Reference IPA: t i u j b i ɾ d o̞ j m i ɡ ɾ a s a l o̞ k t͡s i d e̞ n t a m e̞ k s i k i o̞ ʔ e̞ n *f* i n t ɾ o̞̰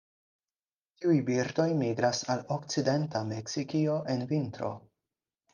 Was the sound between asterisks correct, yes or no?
no